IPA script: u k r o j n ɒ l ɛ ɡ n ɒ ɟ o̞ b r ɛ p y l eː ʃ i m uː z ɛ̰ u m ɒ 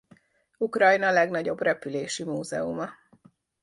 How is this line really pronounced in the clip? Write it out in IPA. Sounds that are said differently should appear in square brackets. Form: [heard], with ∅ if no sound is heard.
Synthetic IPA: u k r [ɒ] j n ɒ l ɛ ɡ n ɒ ɟ o̞ b r ɛ p y l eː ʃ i m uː z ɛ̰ u m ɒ